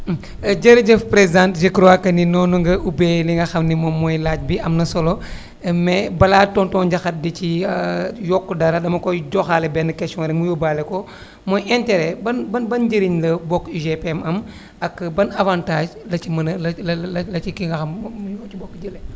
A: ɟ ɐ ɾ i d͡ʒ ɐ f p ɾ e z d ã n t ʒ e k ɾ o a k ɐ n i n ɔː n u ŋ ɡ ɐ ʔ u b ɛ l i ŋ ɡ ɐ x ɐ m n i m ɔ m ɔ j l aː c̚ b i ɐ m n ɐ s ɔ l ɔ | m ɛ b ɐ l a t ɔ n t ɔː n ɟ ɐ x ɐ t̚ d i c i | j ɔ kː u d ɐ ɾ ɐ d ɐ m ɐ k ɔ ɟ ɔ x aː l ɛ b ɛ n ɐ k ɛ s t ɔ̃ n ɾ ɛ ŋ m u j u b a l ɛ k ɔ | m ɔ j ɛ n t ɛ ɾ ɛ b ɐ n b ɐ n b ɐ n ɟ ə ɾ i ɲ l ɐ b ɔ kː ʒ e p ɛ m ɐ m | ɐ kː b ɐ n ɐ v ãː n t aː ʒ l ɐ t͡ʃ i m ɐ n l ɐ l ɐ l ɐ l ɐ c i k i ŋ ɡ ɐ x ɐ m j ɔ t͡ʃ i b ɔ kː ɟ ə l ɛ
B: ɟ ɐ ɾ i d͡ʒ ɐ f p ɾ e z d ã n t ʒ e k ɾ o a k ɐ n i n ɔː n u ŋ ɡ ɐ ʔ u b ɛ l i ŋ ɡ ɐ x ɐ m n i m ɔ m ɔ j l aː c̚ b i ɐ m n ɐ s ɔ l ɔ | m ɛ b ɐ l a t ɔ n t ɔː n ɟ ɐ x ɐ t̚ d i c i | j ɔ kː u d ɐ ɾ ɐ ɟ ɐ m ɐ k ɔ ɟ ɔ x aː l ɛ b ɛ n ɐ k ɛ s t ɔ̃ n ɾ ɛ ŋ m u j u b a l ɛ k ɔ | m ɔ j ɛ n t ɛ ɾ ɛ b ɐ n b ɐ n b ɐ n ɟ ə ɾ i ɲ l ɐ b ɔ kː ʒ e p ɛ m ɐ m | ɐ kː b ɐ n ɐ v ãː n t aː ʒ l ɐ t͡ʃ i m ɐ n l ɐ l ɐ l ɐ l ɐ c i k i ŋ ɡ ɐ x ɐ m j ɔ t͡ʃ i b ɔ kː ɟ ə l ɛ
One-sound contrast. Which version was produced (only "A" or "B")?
A